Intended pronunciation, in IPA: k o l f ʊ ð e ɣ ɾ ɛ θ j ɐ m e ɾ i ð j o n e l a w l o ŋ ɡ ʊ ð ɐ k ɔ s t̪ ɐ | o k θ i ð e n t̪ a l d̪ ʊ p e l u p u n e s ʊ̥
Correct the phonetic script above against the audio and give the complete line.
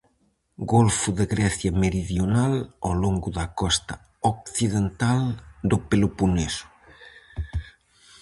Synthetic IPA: ɡ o l f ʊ ð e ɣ ɾ ɛ θ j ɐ m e ɾ i ð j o n a l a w l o ŋ ɡ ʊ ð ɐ k ɔ s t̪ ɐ | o k θ i ð e n t̪ a l d̪ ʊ p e l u p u n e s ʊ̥